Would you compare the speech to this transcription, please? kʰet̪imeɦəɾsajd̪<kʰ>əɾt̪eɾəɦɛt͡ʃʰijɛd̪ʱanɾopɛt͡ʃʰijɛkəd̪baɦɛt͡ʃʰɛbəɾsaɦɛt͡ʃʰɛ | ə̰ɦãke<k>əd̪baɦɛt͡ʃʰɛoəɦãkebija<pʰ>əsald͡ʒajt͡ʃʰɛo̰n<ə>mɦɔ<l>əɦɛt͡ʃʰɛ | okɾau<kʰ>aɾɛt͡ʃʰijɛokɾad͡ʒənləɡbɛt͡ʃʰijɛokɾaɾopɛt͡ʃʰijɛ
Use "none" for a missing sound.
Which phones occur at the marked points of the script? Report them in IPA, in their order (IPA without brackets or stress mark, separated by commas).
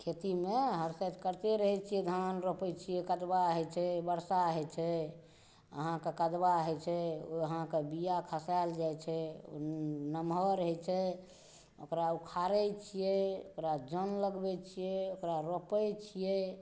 k, k, kʰ, ə, ɾ, kʰ